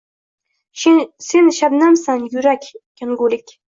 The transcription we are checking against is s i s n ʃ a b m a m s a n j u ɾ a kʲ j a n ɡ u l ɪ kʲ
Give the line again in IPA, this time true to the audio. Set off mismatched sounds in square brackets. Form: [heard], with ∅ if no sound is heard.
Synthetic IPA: s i [∅] n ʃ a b [n] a m s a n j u ɾ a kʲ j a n ɡ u l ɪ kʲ